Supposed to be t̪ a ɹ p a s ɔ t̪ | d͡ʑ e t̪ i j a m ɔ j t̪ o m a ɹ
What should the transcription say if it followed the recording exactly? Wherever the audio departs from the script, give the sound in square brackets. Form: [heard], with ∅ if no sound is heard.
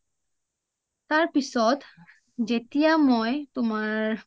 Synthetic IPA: t̪ a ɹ p [i] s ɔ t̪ | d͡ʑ e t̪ i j a m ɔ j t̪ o m a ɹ